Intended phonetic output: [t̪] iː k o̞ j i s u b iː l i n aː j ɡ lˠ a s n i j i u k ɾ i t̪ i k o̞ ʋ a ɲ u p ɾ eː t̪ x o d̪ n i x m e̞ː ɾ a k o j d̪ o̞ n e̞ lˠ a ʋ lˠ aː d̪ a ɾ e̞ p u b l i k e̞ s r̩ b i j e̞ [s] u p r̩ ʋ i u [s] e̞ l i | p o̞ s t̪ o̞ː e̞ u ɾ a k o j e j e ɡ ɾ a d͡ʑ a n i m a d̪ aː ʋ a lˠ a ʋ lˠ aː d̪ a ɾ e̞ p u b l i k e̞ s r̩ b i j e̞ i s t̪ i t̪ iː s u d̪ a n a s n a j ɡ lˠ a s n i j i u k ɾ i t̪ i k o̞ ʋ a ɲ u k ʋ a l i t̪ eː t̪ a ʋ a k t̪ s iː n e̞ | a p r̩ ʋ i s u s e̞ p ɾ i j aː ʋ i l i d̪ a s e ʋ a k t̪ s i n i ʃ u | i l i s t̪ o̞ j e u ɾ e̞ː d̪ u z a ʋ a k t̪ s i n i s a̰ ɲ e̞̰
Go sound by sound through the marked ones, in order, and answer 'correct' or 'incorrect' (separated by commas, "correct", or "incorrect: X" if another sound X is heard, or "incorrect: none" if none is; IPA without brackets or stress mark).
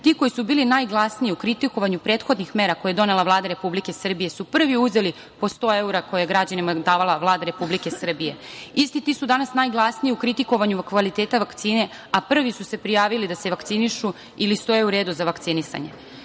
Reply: correct, correct, incorrect: z